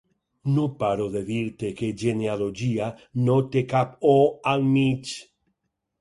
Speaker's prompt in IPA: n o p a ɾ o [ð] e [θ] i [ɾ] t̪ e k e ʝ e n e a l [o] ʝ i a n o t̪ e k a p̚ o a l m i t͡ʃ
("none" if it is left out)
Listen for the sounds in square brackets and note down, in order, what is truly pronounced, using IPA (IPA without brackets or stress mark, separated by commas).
ð, ð, ɾ, o